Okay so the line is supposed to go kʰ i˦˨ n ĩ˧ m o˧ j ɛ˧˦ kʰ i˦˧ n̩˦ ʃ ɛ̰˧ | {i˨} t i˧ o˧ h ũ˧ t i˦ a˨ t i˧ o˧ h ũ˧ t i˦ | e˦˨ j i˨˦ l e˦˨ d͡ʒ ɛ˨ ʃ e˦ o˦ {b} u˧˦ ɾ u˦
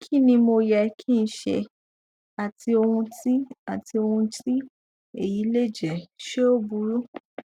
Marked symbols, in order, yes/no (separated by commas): no, yes